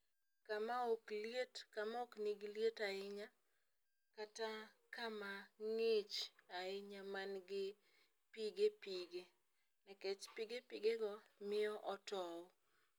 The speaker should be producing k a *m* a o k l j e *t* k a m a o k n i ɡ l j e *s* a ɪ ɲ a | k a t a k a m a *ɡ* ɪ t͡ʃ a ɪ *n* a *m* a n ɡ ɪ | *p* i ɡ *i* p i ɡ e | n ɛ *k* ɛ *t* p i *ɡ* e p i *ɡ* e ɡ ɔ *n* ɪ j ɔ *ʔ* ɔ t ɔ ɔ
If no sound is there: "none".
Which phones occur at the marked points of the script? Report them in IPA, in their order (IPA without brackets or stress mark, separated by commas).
m, t, t, ŋ, ɲ, m, p, e, k, t͡ʃ, ɡ, ɡ, m, ʔ